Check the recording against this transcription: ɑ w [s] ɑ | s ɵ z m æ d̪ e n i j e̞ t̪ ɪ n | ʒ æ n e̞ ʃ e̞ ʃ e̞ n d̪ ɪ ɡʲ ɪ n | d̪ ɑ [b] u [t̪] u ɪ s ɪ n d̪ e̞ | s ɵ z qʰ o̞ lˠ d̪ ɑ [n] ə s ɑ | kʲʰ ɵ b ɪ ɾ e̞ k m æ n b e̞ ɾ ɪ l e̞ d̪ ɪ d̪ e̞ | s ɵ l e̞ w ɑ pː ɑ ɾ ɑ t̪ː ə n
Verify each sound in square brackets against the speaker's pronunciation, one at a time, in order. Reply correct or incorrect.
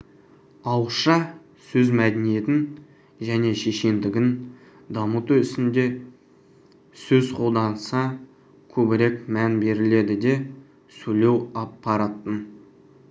incorrect: ʃ, incorrect: m, correct, correct

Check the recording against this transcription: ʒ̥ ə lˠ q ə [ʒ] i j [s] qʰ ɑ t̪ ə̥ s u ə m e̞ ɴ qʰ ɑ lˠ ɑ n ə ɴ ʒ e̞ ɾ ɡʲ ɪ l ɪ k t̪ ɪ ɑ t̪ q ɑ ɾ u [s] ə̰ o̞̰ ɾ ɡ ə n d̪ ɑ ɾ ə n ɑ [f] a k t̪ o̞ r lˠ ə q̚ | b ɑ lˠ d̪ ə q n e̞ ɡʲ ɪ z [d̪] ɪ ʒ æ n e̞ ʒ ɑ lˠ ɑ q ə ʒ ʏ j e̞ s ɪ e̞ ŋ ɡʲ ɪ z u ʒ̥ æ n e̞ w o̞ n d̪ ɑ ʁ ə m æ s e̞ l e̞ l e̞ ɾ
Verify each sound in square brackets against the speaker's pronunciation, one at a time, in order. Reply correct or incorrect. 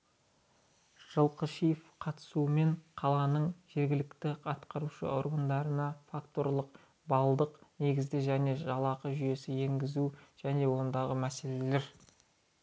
incorrect: ʃ, incorrect: f, incorrect: ʃ, correct, correct

